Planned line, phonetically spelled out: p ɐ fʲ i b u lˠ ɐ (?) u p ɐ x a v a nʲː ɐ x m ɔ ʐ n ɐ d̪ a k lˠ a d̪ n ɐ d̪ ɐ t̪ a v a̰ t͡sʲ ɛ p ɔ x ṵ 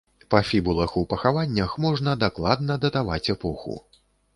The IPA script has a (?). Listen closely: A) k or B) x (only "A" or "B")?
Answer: B